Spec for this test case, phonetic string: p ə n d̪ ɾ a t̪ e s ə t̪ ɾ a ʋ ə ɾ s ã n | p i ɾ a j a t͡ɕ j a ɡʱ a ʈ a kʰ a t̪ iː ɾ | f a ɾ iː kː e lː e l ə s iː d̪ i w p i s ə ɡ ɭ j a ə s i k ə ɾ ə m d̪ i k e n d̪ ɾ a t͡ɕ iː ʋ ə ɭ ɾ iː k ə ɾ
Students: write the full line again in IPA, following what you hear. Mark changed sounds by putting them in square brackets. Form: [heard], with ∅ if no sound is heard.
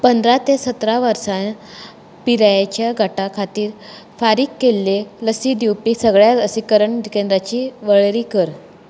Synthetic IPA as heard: p ə n d̪ ɾ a t̪ e s ə t̪ ɾ a ʋ ə ɾ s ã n | p i ɾ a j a t͡ɕ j a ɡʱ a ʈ a kʰ a t̪ iː ɾ | f a ɾ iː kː e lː e l ə s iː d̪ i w p i s ə ɡ ɭ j a ə s i k ə ɾ ə [ɳ] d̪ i k e n d̪ ɾ a t͡ɕ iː ʋ ə ɭ ɾ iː k ə ɾ

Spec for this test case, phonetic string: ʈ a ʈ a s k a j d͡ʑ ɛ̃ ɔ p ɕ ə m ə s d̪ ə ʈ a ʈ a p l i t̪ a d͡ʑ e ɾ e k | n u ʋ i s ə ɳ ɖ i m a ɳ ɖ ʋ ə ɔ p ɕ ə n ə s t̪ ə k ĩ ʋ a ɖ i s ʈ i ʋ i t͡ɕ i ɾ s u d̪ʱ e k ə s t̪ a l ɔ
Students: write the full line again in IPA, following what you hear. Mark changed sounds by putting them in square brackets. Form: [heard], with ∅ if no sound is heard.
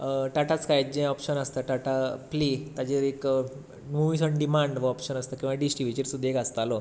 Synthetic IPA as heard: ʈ a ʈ a [t͡s] k a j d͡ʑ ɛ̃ ɔ p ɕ ə [n] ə s [t̪] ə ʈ a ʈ a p l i t̪ a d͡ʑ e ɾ e k | n u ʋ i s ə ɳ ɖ i m a ɳ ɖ ʋ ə ɔ p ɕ ə n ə s t̪ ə k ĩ ʋ a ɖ i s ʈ i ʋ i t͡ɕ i ɾ s u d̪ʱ e k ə s t̪ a l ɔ

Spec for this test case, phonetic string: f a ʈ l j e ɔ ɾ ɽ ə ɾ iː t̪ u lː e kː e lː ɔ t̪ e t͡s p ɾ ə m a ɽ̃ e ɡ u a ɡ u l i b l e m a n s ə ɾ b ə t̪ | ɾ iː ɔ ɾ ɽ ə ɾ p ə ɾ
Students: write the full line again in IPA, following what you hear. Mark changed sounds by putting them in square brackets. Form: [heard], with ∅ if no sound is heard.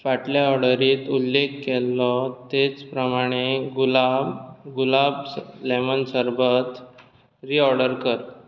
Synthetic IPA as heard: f a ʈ l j [a] ɔ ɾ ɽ ə ɾ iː t̪ u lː e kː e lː ɔ t̪ e t͡s p ɾ ə m a ɽ̃ e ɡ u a ɡ u l [a] b l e m [ə] n s ə ɾ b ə t̪ | ɾ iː ɔ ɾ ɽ ə ɾ [k] ə ɾ

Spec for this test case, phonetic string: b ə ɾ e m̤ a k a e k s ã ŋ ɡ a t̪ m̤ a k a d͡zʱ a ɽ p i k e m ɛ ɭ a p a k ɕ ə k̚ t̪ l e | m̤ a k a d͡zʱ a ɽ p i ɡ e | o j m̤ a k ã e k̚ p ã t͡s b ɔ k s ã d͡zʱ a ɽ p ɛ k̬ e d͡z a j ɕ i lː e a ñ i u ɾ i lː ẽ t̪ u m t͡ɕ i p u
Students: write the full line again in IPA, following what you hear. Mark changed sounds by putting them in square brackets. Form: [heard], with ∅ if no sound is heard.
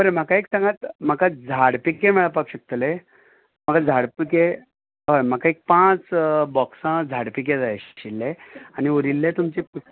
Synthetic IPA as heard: b ə ɾ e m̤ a k a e k s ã ŋ ɡ a t̪ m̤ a k a d͡zʱ a ɽ p i k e m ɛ ɭ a p a k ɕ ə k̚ t̪ l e | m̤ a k a d͡zʱ a ɽ p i [k] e | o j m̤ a k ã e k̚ p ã t͡s b ɔ k s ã d͡zʱ a ɽ p [i] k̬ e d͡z a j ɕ i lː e a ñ i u ɾ i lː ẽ t̪ u m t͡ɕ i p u

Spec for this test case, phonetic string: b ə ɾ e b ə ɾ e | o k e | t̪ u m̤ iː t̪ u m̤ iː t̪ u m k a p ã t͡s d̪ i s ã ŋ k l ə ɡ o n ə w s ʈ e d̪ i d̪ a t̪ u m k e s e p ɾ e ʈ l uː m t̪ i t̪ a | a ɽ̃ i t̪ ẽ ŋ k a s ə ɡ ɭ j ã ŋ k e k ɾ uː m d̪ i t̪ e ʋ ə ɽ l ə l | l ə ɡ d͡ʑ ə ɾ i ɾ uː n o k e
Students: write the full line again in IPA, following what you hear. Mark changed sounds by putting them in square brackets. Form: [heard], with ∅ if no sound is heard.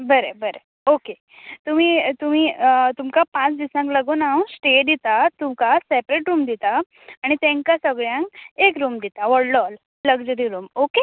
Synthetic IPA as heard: b ə ɾ e b ə ɾ e | o k e | t̪ u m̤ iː t̪ u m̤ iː t̪ u m k a p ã t͡s d̪ i s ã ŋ k l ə ɡ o n [a] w s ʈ e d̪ i [t̪] a t̪ u m k [a] s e p ɾ e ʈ [ɾ] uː m [d̪] i t̪ a | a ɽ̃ i t̪ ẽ ŋ k a s ə ɡ ɭ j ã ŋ k e k ɾ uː m d̪ i t̪ [a] ʋ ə ɽ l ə l | l ə ɡ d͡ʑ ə ɾ i ɾ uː [m] o k e

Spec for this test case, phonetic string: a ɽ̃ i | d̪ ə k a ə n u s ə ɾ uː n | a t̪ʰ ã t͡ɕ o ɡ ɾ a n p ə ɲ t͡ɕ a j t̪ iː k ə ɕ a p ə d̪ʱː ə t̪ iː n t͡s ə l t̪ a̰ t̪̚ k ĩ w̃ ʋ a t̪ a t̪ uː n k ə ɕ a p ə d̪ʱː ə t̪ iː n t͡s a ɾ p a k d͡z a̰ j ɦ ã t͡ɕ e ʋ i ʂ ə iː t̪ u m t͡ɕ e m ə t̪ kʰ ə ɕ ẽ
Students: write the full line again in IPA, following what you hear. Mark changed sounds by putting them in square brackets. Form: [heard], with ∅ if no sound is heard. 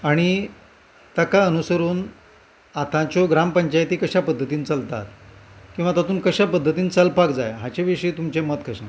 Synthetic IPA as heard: a ɽ̃ i | [t̪] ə k a ə n u s ə ɾ uː n | a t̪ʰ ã t͡ɕ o ɡ ɾ a [m] p ə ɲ t͡ɕ a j t̪ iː k ə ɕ a p ə d̪ʱː ə t̪ iː n t͡s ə l t̪ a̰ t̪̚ k ĩ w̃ ʋ a t̪ a t̪ uː n k ə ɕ a p ə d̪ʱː ə t̪ iː n t͡s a [l] p a k d͡z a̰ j ɦ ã t͡ɕ e ʋ i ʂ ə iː t̪ u m t͡ɕ e m ə t̪ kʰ ə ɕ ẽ

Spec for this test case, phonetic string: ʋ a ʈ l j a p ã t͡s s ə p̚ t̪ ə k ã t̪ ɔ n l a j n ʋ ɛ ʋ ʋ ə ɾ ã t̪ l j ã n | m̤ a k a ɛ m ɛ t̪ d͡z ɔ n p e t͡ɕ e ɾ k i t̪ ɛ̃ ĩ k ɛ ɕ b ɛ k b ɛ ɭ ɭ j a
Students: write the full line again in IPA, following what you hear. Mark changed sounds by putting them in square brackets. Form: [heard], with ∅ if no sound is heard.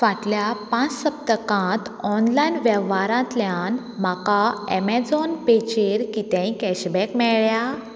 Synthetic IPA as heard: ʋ a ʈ l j a p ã t͡s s ə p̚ t̪ ə k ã t̪ ɔ n l a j n ʋ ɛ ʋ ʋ [a] ɾ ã t̪ l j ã n | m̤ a k a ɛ m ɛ [∅] d͡z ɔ n p e t͡ɕ e ɾ k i t̪ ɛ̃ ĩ k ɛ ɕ b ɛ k [m] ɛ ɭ ɭ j a

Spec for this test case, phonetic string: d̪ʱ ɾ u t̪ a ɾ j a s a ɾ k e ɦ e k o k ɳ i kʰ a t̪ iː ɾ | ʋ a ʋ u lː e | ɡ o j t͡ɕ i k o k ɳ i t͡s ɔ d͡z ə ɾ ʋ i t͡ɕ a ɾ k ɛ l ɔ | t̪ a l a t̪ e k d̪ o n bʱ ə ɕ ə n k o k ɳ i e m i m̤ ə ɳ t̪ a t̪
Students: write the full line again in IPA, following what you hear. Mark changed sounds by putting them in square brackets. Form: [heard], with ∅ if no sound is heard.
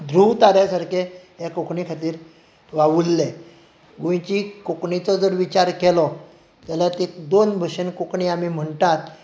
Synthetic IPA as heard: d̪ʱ ɾ u t̪ a ɾ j a s a ɾ k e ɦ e k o k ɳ i kʰ a t̪ iː ɾ | ʋ a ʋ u lː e | ɡ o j t͡ɕ i k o k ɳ i t͡s ɔ d͡z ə ɾ ʋ i t͡ɕ a ɾ k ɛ l ɔ | t̪ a l a t̪ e k d̪ o n bʱ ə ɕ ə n k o k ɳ i [a] m i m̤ ə ɳ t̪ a t̪

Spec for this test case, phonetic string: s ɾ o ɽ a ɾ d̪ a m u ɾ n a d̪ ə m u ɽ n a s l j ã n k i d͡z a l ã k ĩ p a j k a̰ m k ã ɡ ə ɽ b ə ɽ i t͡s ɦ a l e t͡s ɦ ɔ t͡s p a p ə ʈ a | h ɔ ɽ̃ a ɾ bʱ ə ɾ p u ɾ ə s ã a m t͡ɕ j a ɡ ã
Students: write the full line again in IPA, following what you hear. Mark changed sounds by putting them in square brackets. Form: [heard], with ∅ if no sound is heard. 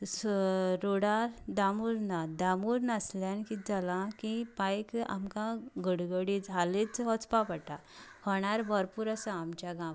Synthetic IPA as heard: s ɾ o ɽ a ɾ d̪ a m u ɾ n a d̪ [a] m u [ɾ] n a s l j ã n k i d͡z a l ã k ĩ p a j k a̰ m k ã ɡ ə ɽ [ɡ] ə ɽ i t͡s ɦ a l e t͡s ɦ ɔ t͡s p a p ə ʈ a | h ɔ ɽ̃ a ɾ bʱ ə ɾ p u ɾ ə s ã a m t͡ɕ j a ɡ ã

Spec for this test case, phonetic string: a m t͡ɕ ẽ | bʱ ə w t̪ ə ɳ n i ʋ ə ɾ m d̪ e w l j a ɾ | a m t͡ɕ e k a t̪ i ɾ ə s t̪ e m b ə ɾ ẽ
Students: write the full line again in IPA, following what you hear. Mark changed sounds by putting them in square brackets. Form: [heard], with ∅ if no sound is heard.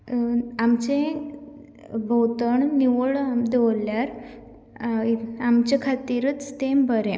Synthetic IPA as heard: a m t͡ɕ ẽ | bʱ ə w t̪ ə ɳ n i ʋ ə [ɭ] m d̪ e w l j a ɾ | a m t͡ɕ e [kʰ] a t̪ i ɾ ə [t͡s] t̪ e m b ə ɾ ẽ

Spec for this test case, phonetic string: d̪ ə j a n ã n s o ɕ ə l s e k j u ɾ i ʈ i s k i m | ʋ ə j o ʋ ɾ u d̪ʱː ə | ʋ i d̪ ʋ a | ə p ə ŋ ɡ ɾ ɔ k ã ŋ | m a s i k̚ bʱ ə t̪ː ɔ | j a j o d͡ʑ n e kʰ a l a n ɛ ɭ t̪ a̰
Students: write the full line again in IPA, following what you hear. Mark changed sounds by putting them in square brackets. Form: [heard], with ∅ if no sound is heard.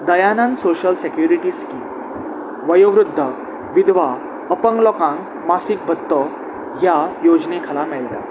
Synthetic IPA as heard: d̪ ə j a n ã n s o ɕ ə l s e k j u ɾ i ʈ i s k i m | ʋ ə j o ʋ ɾ u d̪ʱː ə | ʋ i d̪ ʋ a | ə p ə ŋ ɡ [l] ɔ k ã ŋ | m a s i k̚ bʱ ə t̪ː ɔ | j a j o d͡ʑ n e kʰ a l a [m] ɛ ɭ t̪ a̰

